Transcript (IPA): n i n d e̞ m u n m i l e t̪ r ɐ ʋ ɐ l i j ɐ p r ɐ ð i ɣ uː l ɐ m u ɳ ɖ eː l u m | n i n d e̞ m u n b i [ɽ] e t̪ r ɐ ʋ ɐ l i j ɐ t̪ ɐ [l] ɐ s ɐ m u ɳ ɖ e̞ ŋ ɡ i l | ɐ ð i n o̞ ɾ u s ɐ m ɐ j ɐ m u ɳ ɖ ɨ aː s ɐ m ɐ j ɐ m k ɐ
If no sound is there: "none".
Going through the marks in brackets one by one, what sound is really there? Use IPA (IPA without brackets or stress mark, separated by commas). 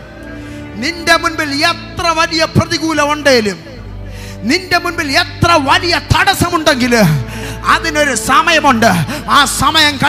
l, ɽ